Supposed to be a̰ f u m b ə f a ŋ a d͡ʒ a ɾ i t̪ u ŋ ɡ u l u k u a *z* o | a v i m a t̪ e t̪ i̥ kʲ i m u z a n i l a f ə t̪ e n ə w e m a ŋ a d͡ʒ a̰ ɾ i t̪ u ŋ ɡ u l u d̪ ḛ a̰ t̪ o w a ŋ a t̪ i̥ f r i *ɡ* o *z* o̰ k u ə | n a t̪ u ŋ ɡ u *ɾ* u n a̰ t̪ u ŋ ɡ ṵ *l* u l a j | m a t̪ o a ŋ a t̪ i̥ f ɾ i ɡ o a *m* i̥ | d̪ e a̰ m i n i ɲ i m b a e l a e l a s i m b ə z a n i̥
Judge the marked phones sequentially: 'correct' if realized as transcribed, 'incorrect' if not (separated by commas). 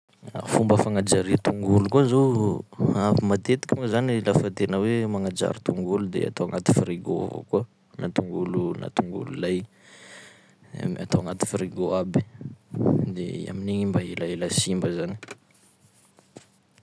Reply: correct, correct, incorrect, incorrect, correct, incorrect